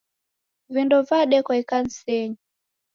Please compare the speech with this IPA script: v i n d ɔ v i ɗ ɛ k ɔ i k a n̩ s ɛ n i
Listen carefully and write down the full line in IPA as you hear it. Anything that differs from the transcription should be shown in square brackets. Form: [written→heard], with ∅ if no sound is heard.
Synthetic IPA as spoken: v i n d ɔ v [i→a] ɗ ɛ k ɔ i k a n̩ s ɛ [n→ɲ] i